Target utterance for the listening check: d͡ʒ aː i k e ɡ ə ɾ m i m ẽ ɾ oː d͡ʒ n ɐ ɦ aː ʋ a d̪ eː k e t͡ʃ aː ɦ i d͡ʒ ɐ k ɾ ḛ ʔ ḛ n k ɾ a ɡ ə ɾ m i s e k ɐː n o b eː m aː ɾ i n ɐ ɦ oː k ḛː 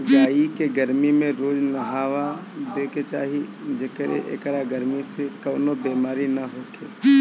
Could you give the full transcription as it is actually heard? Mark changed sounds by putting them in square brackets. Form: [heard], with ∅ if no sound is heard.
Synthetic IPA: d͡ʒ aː i k e ɡ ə ɾ m i m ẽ ɾ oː d͡ʒ n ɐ ɦ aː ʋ a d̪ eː k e t͡ʃ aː ɦ i d͡ʒ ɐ k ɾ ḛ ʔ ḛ [∅] k ɾ a ɡ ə ɾ m i s e k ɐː n o b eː m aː ɾ i n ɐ ɦ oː k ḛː